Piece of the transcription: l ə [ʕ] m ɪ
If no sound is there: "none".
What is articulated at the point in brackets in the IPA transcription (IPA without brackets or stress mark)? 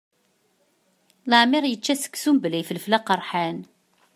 ʕ